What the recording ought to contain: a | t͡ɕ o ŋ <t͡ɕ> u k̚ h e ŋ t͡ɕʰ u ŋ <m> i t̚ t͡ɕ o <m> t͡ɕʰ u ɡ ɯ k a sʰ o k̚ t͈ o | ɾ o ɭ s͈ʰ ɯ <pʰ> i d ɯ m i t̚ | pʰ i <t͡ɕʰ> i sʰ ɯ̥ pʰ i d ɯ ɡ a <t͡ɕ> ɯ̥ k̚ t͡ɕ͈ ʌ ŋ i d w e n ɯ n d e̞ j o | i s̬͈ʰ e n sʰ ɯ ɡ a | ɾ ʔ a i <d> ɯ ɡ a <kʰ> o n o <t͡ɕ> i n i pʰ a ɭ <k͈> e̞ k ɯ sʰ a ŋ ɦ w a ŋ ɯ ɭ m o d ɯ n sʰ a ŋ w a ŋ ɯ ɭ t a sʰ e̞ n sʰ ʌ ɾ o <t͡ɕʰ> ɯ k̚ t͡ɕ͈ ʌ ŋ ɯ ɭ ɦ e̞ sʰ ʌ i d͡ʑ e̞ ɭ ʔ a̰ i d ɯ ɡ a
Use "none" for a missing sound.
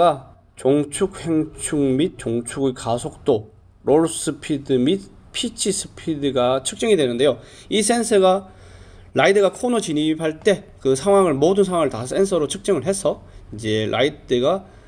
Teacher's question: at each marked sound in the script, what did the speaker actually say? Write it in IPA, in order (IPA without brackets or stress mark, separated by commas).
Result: t͡ɕʰ, m, ŋ, pʰ, t͡ɕʰ, t͡ɕʰ, d, kʰ, t͡ɕ, t͈, t͡ɕʰ